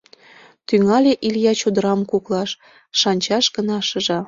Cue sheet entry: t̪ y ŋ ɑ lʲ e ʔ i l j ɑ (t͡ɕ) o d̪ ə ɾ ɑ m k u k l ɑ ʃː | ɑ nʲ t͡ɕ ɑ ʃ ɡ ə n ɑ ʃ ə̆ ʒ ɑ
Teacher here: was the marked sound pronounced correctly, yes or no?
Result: yes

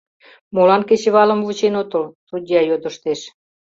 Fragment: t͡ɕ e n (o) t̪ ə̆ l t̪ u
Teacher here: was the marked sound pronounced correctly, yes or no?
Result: yes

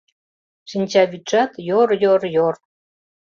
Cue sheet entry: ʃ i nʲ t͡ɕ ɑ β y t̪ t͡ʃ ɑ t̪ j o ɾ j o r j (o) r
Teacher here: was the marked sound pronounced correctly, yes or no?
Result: yes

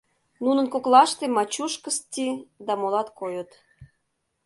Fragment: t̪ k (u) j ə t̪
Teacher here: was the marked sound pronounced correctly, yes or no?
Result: no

